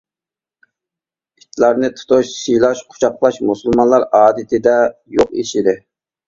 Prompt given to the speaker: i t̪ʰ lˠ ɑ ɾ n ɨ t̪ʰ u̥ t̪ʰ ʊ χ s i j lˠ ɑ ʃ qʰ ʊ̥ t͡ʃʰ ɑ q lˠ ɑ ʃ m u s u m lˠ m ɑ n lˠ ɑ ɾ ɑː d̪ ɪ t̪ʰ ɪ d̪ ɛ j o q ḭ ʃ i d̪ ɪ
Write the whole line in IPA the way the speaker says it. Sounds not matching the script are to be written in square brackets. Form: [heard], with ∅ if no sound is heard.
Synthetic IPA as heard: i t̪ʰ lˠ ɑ ɾ n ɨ t̪ʰ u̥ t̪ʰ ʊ [ʃ] s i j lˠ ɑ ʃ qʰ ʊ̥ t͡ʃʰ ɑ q lˠ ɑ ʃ m u s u [∅] lˠ m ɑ n lˠ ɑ ɾ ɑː d̪ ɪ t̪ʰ ɪ d̪ ɛ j o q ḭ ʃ i d̪ ɪ